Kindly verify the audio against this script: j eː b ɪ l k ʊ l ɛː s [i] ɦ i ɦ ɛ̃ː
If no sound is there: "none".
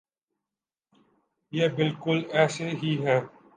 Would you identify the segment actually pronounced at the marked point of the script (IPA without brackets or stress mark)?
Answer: e